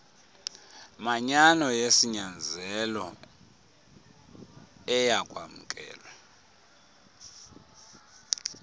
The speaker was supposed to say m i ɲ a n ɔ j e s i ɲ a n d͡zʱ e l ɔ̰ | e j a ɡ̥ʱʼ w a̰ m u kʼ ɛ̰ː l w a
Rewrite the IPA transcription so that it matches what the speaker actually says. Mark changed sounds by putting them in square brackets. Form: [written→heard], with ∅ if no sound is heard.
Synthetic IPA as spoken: m [i→a] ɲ a n ɔ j e s i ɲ a n d͡zʱ [e→ɛ] l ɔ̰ | [e→ɛ] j a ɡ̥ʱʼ w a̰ m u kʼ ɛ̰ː l w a